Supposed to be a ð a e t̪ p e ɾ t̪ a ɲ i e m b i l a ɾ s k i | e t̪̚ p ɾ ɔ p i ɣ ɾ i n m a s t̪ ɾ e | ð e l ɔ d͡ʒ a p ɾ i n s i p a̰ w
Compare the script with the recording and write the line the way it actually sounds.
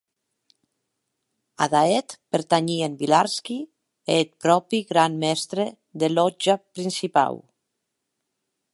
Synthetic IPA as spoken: a ð a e t̪ p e ɾ t̪ a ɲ i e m b i l a ɾ s k i | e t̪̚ p ɾ ɔ p i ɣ ɾ a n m ɛ s t̪ ɾ e | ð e l ɔ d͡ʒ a p ɾ i n s i p a̰ w